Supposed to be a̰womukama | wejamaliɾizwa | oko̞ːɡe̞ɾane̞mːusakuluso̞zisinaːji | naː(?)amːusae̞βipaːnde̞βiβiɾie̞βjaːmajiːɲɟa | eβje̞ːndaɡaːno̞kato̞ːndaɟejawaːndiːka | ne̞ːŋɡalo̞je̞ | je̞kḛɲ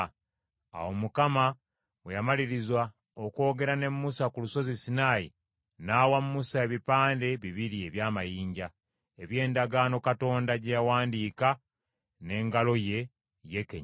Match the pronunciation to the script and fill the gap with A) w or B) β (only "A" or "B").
A